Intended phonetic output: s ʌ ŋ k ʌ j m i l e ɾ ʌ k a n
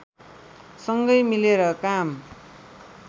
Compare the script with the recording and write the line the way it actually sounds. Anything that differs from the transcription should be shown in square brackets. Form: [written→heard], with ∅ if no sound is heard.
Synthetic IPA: s ʌ ŋ [k→ɡ] ʌ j m i l e ɾ ʌ k a [n→m]